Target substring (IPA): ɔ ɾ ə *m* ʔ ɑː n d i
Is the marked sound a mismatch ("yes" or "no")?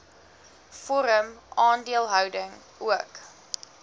no